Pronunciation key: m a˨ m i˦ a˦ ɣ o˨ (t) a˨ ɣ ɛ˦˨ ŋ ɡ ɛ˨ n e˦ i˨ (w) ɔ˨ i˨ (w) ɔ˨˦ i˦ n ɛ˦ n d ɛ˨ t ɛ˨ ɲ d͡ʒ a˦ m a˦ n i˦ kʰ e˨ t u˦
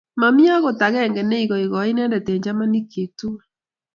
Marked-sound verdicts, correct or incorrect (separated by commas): correct, incorrect, incorrect